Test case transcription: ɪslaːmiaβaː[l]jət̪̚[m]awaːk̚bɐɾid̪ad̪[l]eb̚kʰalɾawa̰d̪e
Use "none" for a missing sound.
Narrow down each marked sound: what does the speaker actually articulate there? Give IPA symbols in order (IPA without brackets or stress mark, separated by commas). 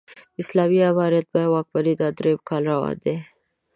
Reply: ɾ, b, ɾ